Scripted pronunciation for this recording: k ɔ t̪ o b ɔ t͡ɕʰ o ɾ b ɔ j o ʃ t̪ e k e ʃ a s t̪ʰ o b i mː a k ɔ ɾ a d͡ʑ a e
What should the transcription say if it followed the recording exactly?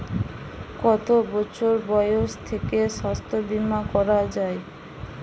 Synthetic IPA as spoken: k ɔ t̪ o b ɔ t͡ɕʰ o ɾ b ɔ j o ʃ t̪ʰ e k e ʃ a s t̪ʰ o b i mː a k ɔ ɾ a d͡ʑ a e